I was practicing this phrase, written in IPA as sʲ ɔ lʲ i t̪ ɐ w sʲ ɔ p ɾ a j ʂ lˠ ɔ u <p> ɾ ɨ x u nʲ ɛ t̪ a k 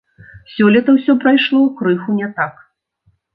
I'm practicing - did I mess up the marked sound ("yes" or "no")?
yes